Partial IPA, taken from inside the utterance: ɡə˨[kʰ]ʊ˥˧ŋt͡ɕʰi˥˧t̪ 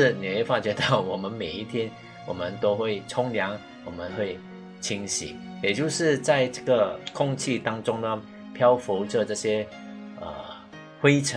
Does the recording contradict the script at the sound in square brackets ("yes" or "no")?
no